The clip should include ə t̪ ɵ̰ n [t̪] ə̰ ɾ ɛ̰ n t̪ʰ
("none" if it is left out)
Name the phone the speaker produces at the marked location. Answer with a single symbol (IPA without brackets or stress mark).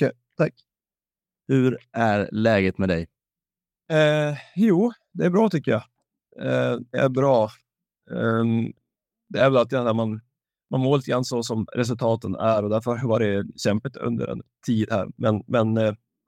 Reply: d̪